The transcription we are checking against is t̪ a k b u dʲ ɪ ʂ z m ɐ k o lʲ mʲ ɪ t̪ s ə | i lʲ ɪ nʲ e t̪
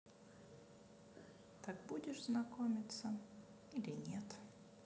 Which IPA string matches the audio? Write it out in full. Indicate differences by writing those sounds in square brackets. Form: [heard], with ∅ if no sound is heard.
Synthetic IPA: t̪ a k b u dʲ ɪ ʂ z [n] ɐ k o [∅] mʲ ɪ t̪ s ə | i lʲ ɪ nʲ e t̪